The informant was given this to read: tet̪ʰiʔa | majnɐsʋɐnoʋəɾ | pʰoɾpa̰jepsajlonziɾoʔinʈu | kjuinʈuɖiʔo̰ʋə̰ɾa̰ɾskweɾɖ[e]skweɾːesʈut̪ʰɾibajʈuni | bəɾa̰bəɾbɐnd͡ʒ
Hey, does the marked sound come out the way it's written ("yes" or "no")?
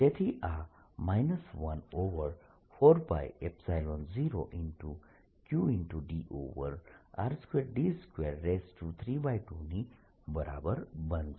no